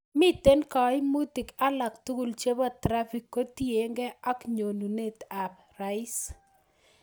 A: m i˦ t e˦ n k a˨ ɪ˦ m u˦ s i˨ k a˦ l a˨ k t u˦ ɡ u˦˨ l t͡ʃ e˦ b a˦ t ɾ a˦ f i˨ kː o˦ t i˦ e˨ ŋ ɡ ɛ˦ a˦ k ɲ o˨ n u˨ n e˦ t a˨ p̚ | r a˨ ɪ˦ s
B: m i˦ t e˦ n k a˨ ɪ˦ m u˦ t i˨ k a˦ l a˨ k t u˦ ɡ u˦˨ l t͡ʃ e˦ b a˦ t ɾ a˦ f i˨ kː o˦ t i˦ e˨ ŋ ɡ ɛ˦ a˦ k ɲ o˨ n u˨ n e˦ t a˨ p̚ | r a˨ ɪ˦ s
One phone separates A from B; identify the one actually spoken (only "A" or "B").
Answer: B